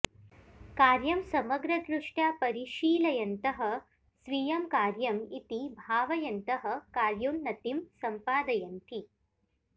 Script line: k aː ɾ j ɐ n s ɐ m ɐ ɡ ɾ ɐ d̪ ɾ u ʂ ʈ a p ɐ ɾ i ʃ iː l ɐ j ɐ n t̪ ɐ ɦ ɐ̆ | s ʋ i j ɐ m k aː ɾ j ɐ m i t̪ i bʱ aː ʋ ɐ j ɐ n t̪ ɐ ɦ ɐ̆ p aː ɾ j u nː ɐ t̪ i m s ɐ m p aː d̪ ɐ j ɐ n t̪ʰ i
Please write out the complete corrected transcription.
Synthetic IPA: k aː ɾ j ɐ m s ɐ m ɐ ɡ ɾ ɐ d̪ ɾ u ʂ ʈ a p ɐ ɾ i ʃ iː l ɐ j ɐ n t̪ ɐ ɦ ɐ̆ | s ʋ i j ɐ m k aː ɾ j ɐ m i t̪ i bʱ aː ʋ ɐ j ɐ n t̪ ɐ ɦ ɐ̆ k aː ɾ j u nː ɐ t̪ i m s ɐ m p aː d̪ ɐ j ɐ n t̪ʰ i